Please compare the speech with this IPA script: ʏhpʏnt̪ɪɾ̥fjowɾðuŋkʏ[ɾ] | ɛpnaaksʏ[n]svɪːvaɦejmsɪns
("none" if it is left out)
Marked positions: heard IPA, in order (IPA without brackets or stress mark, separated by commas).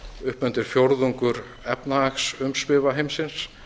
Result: ɾ, m